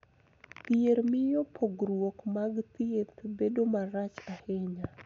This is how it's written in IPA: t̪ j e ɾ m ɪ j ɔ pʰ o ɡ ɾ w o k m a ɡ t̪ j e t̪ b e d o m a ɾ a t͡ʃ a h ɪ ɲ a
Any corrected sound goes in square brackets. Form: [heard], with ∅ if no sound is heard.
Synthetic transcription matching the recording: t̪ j e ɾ m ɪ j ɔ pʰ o ɡ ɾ w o k m a ɡ t̪ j e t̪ b e d o m a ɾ a t͡ʃ a h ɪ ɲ a